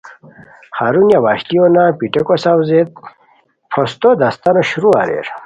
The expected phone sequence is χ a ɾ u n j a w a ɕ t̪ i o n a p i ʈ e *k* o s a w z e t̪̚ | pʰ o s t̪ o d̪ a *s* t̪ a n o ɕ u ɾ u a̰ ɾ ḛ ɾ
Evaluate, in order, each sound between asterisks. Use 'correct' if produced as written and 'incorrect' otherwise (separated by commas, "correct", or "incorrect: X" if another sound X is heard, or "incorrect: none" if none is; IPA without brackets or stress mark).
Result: correct, correct